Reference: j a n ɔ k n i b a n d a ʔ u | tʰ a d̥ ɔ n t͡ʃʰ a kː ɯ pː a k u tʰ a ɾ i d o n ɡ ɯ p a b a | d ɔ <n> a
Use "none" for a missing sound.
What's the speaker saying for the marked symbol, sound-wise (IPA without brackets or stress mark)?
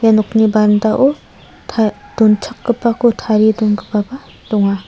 ŋ